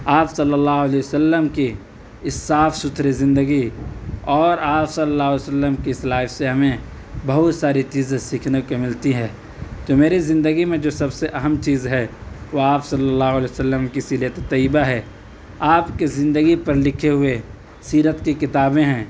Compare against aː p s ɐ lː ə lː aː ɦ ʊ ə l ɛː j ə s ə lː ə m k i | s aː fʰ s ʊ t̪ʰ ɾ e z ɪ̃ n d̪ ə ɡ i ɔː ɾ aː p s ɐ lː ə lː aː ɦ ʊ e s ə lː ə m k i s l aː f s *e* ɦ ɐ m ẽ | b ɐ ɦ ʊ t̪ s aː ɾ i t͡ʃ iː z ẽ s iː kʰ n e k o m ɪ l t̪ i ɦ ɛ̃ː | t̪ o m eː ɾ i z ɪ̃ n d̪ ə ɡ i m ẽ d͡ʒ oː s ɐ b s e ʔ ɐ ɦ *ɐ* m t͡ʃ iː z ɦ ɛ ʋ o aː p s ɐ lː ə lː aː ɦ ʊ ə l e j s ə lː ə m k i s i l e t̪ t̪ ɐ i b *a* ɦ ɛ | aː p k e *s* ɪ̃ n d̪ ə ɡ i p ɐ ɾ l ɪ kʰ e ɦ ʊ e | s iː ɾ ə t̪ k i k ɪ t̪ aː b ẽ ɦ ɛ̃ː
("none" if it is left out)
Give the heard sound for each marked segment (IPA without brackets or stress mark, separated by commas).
e, ə, a, z